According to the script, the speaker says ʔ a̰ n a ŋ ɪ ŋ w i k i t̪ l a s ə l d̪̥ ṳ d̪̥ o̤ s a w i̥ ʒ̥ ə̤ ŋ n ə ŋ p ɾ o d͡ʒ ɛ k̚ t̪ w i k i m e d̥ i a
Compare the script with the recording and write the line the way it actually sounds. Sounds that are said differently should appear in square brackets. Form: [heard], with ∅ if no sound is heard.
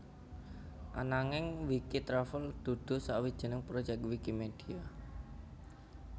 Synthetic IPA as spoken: ʔ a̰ n a ŋ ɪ ŋ w i k i t̪ [ɾ] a [f] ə l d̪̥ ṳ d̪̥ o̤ s a w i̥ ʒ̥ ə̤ [∅] n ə ŋ p ɾ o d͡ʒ ɛ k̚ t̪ w i k i m e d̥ i a